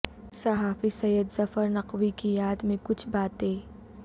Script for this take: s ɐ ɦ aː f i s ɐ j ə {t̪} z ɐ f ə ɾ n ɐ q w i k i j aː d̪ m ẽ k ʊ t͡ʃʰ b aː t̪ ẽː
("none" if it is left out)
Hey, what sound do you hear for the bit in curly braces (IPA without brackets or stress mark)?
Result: d̪